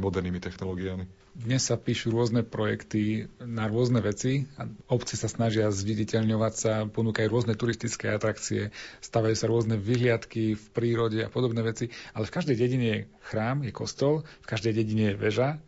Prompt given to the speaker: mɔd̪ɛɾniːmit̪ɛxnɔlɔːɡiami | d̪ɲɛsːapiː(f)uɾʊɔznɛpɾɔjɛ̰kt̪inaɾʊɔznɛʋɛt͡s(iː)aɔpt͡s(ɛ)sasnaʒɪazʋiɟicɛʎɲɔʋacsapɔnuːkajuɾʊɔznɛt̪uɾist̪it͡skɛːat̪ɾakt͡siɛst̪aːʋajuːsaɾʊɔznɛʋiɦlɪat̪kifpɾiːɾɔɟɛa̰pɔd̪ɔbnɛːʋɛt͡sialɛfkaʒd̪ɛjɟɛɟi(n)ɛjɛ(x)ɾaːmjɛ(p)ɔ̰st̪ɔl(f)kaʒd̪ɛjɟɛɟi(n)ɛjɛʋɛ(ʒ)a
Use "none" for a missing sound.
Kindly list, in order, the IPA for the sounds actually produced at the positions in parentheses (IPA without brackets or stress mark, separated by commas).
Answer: ʃ, i, i, ɲ, x, k, f, ɲ, ʒ